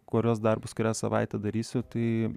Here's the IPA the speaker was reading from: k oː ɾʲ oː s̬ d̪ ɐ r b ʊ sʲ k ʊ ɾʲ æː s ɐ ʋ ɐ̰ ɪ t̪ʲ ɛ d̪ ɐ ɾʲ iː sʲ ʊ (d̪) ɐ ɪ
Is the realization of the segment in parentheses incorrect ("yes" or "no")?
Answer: yes